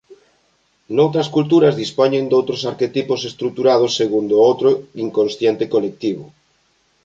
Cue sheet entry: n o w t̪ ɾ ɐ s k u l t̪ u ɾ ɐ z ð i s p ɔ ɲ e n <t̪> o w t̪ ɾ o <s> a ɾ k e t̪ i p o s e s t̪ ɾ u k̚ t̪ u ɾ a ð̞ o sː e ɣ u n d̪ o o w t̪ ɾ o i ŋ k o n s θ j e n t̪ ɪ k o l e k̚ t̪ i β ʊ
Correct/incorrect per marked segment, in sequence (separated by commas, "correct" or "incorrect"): incorrect, correct